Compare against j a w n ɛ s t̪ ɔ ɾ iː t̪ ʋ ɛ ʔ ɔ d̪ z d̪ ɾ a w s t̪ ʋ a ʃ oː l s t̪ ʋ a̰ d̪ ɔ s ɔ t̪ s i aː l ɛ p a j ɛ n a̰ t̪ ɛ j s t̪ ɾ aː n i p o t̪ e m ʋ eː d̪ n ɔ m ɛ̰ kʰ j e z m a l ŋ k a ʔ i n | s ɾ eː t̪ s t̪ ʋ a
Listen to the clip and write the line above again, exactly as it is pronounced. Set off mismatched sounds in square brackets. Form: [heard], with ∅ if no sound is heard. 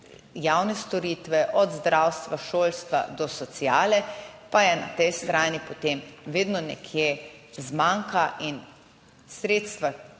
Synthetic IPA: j a w n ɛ s t̪ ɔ ɾ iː t̪ ʋ ɛ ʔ ɔ d̪ z d̪ ɾ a w s t̪ ʋ a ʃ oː l s t̪ ʋ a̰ d̪ ɔ s ɔ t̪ s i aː l ɛ p a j ɛ n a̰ t̪ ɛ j s t̪ ɾ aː n i p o t̪ e m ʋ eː d̪ n ɔ [n] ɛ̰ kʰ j e z m a [∅] ŋ k a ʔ i n | s ɾ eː t̪ s t̪ ʋ a